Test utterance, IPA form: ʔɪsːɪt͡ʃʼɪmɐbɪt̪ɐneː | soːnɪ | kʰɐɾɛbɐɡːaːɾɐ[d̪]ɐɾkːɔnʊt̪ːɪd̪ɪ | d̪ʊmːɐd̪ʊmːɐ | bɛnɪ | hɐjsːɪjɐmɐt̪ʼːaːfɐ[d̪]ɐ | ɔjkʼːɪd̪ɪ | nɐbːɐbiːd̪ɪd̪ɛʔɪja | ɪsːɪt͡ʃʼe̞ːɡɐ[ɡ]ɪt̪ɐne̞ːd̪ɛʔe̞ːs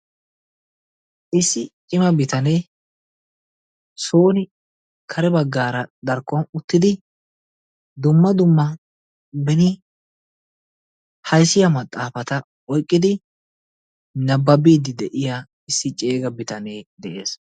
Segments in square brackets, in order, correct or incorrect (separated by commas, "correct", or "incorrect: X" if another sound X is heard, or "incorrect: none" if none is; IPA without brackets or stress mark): correct, incorrect: t̪, incorrect: b